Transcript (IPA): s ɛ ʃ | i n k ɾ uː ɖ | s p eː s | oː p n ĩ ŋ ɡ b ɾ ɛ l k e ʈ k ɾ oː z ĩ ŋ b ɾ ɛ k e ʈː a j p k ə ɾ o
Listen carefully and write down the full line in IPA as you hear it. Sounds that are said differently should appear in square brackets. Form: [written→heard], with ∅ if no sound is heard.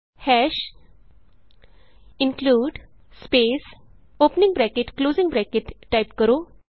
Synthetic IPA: [s→h] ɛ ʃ | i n k [ɾ→l] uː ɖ | s p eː s | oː p n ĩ ŋ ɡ b ɾ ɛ [l→∅] k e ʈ k [ɾ→l] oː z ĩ ŋ b ɾ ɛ k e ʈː a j p k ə ɾ o